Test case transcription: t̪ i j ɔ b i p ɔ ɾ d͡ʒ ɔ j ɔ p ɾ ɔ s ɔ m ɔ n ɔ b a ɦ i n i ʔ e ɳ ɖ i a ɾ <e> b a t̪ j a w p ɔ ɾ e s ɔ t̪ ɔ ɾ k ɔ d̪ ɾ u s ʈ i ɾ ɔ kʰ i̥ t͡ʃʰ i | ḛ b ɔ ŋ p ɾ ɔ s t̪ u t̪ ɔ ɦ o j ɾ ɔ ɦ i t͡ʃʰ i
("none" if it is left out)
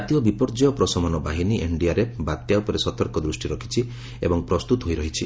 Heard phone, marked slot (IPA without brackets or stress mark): e